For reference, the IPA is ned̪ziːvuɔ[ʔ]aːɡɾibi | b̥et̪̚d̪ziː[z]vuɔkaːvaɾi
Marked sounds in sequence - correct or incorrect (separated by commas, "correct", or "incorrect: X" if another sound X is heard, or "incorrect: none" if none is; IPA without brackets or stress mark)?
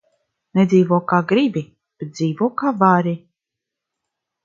incorrect: k, incorrect: none